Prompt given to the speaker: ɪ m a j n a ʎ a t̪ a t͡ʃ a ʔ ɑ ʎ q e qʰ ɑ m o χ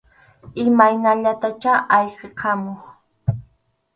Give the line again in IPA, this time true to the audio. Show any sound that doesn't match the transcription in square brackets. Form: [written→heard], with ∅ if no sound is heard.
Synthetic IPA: ɪ m a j n a ʎ a t̪ a t͡ʃ a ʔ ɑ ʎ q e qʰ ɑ m o χ